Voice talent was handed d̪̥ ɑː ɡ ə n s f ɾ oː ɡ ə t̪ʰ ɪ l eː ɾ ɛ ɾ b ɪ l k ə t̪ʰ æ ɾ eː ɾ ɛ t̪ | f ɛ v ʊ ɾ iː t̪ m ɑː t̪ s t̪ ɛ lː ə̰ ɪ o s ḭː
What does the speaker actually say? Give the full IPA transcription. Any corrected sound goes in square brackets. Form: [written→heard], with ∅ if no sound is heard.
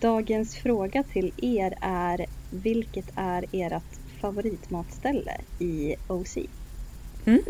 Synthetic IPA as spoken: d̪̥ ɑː ɡ ə n s f ɾ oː ɡ [ə→a] t̪ʰ ɪ l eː ɾ [ɛ→æ] ɾ [b→v] ɪ l k ə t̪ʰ æ ɾ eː ɾ [ɛ→a] t̪ | f [ɛ→a] v ʊ ɾ iː t̪ m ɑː t̪ s t̪ ɛ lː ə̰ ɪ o s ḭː